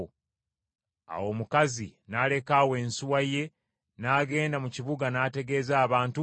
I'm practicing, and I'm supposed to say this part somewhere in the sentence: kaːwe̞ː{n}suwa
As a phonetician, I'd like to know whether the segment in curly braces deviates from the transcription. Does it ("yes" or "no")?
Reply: no